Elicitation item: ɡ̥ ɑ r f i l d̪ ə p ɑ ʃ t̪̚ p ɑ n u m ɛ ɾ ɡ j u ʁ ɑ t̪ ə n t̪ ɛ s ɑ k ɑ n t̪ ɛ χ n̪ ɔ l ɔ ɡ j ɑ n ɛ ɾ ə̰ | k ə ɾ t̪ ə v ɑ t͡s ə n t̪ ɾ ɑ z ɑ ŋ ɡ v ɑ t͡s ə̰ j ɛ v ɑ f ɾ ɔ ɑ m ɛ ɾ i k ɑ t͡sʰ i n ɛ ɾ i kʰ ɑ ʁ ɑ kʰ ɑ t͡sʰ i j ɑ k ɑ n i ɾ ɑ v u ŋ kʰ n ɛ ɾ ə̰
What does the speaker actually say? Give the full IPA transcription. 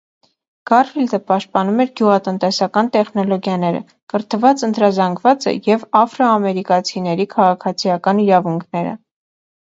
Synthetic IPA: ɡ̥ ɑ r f i l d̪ ə p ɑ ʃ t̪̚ p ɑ n u m ɛ ɾ ɡ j u ʁ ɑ t̪ ə n t̪ ɛ s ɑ k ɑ n t̪ ɛ χ n̪ ɔ l ɔ ɡ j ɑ n ɛ ɾ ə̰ | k ə ɾ t̪ ə v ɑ t͡s ə n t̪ ɾ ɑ z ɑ ŋ ɡ v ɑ t͡s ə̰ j ɛ v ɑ f ɾ ɔ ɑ m ɛ ɾ i k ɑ t͡sʰ i n ɛ ɾ i kʰ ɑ ʁ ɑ kʰ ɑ t͡sʰ i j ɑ k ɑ n i ɾ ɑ v u ŋ kʰ n ɛ ɾ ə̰